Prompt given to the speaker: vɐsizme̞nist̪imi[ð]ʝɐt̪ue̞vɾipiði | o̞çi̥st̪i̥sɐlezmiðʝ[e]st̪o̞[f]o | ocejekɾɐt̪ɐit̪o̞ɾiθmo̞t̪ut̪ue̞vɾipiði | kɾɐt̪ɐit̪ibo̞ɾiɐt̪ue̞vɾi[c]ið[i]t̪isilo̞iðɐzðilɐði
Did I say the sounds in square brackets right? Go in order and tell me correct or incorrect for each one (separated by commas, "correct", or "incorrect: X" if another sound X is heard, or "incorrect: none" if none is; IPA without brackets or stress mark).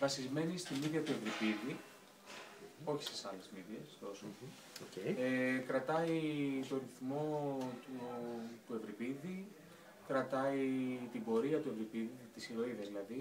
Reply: correct, correct, incorrect: s, incorrect: p, correct